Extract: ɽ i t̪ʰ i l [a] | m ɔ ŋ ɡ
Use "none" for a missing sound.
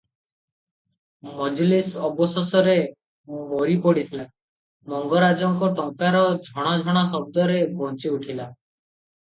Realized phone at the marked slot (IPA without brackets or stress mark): a